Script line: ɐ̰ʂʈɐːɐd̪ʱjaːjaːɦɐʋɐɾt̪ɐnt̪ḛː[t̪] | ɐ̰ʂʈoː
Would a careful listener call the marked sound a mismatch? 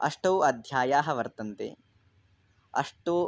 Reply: yes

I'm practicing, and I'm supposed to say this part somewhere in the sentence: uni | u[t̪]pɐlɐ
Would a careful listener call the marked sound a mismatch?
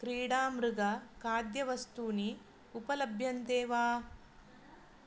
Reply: yes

